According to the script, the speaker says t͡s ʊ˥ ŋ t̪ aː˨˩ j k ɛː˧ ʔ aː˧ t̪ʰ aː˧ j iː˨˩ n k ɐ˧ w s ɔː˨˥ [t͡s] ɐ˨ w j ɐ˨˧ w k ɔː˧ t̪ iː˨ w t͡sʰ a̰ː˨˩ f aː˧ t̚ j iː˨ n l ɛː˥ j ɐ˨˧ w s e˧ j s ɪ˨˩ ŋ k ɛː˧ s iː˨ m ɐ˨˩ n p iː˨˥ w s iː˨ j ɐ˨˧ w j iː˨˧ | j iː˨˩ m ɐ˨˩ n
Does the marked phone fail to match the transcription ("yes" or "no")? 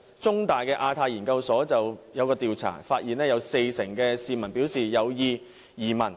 no